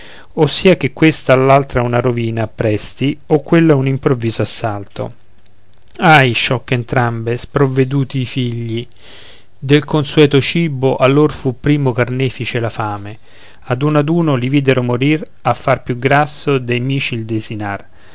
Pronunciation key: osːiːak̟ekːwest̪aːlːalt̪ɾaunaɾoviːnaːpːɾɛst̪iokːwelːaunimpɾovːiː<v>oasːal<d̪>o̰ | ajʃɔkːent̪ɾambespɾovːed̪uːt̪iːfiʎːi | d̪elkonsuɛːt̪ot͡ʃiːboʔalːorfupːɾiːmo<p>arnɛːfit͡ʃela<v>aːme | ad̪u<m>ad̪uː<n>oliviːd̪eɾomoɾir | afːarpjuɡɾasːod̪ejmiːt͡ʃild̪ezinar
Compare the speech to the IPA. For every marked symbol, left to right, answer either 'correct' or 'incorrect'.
incorrect: z, incorrect: t̪, incorrect: k, incorrect: f, incorrect: n, correct

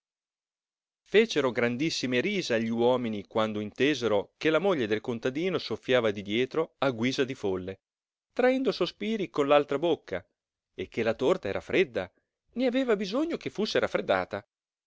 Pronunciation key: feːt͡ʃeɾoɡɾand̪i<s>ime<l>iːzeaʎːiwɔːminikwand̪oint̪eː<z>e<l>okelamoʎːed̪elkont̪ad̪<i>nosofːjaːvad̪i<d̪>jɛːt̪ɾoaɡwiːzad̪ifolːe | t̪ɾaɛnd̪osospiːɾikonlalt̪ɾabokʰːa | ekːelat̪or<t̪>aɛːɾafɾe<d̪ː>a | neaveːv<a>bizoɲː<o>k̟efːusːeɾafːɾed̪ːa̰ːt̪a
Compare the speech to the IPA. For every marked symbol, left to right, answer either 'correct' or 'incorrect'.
incorrect: sː, incorrect: ɾ, correct, incorrect: ɾ, incorrect: iː, correct, correct, correct, correct, correct

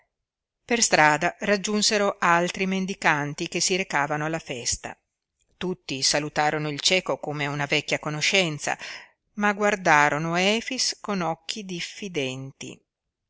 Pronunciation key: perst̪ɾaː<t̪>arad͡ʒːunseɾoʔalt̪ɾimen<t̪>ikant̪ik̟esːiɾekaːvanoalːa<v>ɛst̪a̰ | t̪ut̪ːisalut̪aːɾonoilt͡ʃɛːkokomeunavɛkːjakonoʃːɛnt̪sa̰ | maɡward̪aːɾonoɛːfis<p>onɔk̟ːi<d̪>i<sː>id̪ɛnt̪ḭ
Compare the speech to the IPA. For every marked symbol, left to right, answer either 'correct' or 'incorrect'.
incorrect: d̪, incorrect: d̪, incorrect: f, incorrect: k, correct, incorrect: fː

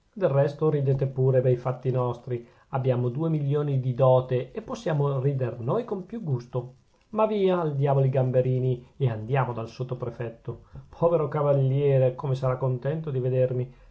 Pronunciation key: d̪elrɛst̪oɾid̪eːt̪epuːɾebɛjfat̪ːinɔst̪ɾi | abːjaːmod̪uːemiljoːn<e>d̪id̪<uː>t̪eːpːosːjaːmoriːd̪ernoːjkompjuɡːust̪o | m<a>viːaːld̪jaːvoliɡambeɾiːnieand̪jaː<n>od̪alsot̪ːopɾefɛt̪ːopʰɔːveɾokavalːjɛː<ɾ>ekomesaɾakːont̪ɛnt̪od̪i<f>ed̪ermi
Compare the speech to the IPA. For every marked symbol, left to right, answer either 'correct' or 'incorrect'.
incorrect: i, incorrect: ɔː, correct, incorrect: m, correct, incorrect: v

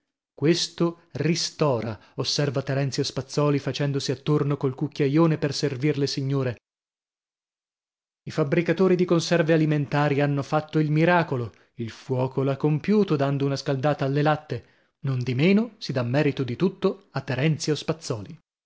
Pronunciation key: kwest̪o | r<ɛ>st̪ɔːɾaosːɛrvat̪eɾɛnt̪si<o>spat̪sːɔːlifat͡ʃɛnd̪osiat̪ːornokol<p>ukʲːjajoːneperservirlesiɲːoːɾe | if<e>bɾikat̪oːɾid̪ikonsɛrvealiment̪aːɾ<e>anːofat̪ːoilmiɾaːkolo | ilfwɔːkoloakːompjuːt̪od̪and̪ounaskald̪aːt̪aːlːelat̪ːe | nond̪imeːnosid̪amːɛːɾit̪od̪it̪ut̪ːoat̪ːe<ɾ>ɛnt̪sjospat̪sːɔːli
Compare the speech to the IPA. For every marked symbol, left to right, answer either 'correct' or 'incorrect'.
incorrect: i, correct, incorrect: k, incorrect: a, incorrect: i, correct

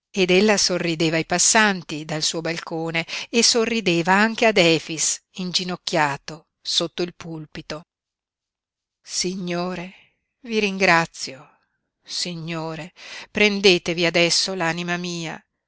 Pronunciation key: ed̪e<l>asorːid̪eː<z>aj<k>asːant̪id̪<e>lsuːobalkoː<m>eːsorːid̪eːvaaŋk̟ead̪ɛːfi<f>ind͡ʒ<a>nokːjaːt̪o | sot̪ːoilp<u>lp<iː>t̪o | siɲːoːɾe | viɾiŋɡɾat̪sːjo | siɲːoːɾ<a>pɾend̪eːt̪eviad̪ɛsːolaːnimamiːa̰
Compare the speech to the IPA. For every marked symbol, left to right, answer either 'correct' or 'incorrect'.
incorrect: lː, incorrect: v, incorrect: p, incorrect: a, incorrect: n, incorrect: s, incorrect: i, correct, incorrect: i, incorrect: e

